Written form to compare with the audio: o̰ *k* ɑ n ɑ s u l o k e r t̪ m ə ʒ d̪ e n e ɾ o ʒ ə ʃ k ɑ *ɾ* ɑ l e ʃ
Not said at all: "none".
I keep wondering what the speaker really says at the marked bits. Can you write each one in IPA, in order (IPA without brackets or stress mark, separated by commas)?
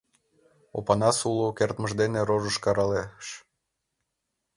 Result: p, ɾ